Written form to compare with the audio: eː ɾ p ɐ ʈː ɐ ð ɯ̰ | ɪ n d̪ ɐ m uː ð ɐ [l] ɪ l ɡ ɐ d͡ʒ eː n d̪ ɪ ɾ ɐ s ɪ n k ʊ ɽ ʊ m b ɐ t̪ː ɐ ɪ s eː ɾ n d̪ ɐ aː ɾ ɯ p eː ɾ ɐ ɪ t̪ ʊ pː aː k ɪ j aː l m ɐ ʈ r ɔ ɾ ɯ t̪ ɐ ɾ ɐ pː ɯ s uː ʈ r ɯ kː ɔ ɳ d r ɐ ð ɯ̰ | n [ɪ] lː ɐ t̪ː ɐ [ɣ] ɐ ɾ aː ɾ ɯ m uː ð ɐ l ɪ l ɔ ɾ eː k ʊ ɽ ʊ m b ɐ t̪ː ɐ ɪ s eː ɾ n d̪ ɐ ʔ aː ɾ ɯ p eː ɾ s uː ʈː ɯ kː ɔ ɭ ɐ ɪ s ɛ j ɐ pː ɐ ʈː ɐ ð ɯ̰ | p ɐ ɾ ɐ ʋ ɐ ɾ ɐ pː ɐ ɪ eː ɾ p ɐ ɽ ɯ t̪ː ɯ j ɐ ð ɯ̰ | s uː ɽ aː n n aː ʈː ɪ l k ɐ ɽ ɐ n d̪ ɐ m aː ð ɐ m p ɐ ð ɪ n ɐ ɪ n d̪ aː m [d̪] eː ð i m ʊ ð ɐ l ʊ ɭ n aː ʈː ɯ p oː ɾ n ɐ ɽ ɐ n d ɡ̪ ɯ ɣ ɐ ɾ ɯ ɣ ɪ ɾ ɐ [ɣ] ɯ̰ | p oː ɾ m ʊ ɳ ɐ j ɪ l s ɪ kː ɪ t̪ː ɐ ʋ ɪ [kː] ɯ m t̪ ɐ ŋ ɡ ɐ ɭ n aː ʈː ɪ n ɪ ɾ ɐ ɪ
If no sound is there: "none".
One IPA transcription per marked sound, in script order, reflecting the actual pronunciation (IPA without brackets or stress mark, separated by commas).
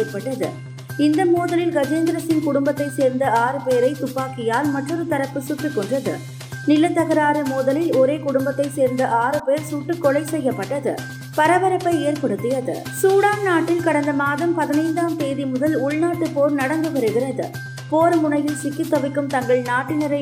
l, ɪ, ɣ, t̪, ð, kː